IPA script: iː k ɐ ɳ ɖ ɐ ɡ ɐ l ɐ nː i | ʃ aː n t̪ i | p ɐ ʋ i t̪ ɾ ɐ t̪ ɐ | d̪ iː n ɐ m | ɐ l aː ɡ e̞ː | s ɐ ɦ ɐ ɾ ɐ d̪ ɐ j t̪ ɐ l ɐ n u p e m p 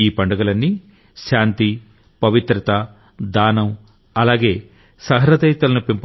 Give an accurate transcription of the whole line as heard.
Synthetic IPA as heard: iː p ɐ ɳ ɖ ɐ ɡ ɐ l ɐ nː i | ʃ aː n t̪ i | p ɐ ʋ i t̪ ɾ ɐ t̪ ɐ | d̪ aː n ɐ m | ɐ l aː ɡ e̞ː | s ɐ ɦ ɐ ɾ ɐ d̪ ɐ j t̪ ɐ l ɐ n u p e m p

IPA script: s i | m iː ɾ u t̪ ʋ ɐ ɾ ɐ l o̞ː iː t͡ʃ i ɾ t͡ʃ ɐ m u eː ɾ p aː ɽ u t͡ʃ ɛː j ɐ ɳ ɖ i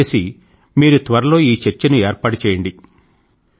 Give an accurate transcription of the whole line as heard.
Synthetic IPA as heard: s i | m iː ɾ u t̪ ʋ ɐ ɾ ɐ l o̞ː iː t͡ʃ e ɾ t͡ʃ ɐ n u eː ɾ p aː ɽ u t͡ʃ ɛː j ɐ ɳ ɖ i

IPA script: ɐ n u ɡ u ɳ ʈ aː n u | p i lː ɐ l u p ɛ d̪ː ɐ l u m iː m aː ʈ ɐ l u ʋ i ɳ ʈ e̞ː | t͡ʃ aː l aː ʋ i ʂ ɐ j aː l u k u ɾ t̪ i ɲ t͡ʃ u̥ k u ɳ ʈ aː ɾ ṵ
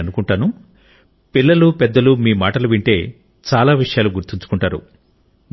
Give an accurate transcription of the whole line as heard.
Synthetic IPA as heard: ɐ n u k u ɳ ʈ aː n u | p i lː ɐ l u p ɛ d̪ː ɐ l u m iː m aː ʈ ɐ l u ʋ i ɳ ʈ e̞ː | t͡ʃ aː l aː ʋ i ʂ ɐ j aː l u ɡ u ɾ t̪ i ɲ t͡ʃ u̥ k u ɳ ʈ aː ɾ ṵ

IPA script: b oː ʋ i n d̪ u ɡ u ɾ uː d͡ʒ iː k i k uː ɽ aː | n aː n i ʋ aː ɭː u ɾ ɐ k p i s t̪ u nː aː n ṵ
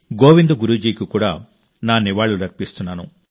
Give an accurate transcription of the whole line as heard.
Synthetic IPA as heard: ɡ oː ʋ i n d̪ u ɡ u ɾ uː d͡ʒ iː k i k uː ɽ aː | n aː n i ʋ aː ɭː u ɾ ɐ k p i s t̪ u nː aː n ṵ

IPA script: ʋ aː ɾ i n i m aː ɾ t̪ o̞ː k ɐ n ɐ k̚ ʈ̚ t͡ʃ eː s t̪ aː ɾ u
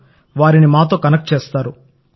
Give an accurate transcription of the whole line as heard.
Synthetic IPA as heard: ʋ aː ɾ i n i m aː t̪ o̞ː k ɐ n ɐ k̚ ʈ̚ t͡ʃ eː s t̪ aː ɾ u

